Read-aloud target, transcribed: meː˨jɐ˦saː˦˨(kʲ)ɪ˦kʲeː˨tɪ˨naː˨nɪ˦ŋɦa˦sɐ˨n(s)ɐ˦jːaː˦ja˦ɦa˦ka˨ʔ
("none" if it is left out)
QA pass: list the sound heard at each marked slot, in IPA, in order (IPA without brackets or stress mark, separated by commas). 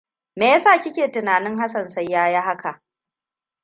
kʲ, s